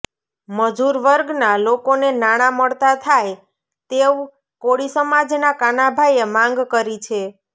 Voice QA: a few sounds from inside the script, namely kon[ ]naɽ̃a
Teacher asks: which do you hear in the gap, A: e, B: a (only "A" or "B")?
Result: A